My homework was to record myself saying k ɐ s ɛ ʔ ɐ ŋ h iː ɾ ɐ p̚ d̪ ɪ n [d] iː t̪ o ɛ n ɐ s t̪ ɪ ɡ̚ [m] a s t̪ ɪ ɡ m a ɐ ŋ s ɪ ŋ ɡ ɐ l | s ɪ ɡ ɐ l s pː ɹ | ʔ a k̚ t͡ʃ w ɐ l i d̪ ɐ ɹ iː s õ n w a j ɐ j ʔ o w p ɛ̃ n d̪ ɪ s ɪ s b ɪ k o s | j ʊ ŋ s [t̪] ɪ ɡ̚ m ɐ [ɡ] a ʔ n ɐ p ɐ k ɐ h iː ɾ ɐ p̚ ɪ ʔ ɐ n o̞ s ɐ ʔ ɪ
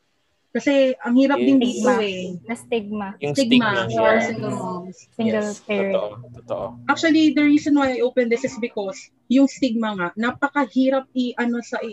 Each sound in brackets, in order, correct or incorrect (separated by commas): correct, correct, correct, incorrect